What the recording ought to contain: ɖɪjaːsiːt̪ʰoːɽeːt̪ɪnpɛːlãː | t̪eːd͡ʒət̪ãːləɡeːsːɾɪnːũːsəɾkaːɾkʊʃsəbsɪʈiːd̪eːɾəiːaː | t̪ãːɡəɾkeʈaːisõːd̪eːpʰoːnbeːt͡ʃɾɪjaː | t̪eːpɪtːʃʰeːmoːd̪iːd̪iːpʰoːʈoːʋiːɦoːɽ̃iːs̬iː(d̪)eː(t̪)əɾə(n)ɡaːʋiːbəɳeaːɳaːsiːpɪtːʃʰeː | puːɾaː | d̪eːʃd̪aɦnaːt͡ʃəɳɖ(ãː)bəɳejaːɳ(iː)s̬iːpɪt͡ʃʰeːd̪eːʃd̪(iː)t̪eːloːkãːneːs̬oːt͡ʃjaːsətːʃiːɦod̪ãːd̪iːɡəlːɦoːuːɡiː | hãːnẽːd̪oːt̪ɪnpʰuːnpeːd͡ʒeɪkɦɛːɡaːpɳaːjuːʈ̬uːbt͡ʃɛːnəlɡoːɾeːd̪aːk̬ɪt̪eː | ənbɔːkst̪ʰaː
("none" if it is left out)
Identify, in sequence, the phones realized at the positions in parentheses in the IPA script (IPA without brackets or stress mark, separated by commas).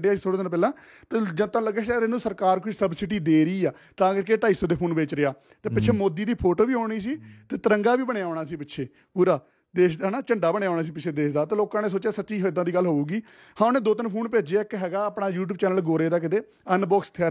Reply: t̪, t̪, ŋ, aː, aː, aː